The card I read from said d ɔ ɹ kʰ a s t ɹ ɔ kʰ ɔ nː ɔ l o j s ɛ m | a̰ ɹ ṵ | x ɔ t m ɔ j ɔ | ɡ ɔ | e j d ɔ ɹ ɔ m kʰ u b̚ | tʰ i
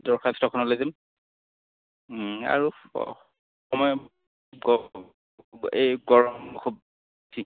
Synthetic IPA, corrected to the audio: d ɔ ɹ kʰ a s t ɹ ɔ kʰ ɔ n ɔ l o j z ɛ m | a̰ ɹ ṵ | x ɔ m ɔ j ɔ | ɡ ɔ | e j ɡ ɔ ɹ ɔ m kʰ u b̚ | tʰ i

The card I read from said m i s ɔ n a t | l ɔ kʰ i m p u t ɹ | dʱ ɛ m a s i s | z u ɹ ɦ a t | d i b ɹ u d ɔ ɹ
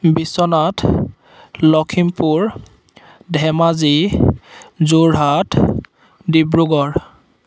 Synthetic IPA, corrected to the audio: b i s ɔ n a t | l ɔ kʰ i m p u ɹ | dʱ ɛ m a z i | z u ɹ ɦ a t | d i b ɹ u ɡ ɔ ɹ

